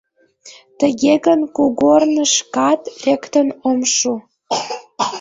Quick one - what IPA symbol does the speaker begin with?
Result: t̪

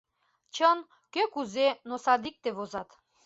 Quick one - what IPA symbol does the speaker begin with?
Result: t͡ɕ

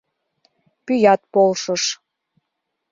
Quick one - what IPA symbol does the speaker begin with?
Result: p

